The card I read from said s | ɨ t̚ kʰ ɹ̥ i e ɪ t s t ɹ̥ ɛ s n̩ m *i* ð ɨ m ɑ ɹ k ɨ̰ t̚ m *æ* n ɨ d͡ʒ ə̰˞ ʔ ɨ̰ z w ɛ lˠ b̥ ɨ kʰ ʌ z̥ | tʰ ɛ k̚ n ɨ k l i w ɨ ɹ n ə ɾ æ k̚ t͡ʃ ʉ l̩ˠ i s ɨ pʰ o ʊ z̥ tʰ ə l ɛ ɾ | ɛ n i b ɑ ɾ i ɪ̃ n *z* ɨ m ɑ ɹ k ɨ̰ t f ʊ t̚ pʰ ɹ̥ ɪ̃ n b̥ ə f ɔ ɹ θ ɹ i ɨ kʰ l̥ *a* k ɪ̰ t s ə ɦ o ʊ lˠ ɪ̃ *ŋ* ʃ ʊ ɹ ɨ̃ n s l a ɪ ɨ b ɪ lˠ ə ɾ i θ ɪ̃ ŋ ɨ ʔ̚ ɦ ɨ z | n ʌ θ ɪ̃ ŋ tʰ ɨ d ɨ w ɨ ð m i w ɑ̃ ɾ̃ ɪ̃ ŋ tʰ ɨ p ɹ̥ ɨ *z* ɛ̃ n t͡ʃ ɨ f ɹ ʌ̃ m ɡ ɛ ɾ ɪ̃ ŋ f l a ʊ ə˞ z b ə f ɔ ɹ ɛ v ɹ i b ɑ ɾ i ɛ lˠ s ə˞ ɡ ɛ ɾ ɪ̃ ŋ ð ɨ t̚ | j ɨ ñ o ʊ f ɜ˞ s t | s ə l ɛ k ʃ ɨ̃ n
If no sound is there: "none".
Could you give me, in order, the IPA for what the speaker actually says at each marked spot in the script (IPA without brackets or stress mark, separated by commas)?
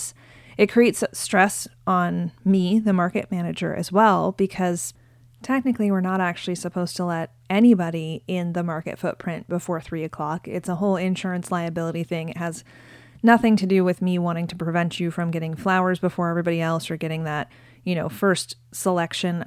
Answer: i, æ, ð, ɑ, n, v